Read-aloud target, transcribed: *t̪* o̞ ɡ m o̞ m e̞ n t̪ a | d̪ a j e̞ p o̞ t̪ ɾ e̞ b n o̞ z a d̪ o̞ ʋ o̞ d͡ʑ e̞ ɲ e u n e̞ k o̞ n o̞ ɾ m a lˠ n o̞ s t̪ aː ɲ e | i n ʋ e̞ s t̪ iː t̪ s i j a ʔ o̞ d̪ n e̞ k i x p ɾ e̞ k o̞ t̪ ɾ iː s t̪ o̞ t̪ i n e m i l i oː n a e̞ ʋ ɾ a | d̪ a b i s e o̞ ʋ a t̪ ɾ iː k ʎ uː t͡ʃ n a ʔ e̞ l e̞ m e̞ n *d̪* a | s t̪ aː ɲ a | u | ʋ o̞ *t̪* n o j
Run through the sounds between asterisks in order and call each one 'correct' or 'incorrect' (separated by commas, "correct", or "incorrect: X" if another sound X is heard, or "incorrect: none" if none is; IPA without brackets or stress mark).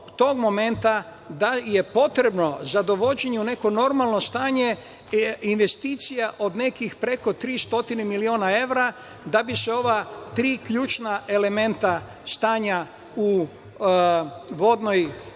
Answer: correct, incorrect: t̪, incorrect: d̪